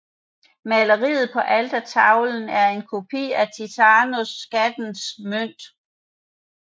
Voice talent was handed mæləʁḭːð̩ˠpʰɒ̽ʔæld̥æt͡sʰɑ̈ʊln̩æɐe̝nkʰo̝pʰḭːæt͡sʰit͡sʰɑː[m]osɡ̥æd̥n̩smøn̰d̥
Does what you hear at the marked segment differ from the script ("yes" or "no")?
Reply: yes